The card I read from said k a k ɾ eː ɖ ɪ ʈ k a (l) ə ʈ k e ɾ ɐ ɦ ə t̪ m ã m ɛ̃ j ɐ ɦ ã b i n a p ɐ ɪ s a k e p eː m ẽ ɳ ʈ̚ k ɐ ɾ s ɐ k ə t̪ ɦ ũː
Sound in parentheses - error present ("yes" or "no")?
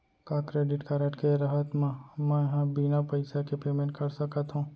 yes